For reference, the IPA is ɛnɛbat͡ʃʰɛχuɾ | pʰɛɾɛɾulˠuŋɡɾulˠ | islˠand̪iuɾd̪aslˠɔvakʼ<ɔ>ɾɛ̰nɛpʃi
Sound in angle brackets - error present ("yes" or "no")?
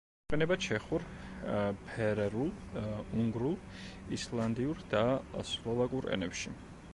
yes